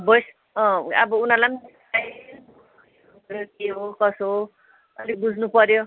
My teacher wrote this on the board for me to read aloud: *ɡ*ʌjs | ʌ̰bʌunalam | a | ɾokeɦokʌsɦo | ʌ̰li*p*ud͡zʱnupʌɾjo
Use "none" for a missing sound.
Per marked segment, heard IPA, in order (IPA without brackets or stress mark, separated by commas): b, b